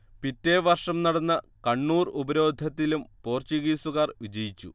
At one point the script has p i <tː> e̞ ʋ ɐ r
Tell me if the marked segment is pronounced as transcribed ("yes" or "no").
yes